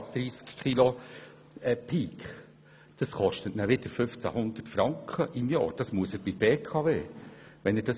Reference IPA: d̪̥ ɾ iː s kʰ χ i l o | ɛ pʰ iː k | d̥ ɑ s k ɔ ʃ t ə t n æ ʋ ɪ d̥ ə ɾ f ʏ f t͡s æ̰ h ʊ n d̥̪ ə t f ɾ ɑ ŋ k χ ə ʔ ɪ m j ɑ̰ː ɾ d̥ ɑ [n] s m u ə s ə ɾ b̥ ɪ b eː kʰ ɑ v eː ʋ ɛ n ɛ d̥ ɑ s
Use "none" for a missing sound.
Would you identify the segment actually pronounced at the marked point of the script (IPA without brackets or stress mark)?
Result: none